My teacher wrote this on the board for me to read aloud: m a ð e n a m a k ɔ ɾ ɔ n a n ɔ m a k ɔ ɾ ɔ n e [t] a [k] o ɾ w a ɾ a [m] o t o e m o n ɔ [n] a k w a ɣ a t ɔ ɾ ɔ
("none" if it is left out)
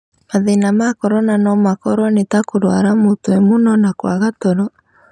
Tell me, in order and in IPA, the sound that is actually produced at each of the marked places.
t, k, m, n

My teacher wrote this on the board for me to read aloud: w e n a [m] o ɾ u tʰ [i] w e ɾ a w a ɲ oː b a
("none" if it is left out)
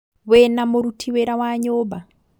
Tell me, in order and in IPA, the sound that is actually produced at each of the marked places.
m, i

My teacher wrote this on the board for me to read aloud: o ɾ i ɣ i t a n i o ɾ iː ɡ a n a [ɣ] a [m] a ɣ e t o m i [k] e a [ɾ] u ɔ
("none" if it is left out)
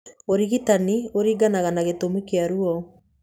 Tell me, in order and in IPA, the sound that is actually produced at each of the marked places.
ɣ, n, k, ɾ

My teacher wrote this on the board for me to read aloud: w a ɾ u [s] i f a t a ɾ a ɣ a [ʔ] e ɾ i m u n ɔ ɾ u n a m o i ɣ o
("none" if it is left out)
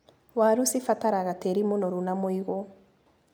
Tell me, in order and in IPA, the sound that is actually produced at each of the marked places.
s, t

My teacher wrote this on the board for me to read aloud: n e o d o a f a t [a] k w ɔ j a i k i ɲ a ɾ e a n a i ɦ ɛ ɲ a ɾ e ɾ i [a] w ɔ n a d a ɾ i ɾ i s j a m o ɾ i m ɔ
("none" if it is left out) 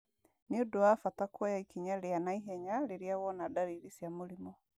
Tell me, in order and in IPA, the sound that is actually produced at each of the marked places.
a, a

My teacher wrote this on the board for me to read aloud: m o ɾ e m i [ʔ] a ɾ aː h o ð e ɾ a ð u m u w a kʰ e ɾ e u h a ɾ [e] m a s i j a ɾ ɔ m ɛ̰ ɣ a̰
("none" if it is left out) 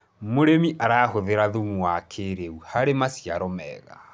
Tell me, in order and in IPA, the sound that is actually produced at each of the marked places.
ʔ, e

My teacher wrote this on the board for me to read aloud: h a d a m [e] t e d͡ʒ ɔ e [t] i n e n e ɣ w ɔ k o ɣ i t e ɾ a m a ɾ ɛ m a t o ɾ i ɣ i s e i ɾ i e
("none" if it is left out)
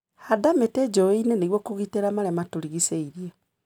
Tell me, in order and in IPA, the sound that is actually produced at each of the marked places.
e, none

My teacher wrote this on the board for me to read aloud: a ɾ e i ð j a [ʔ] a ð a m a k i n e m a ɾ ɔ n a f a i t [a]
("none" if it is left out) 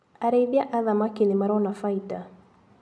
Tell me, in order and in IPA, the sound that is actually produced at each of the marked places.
ʔ, a

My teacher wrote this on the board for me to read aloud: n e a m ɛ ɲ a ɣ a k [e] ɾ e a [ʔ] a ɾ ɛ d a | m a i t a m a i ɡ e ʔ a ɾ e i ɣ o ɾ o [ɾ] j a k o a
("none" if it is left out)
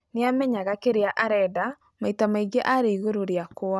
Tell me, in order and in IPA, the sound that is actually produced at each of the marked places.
e, ʔ, ɾ

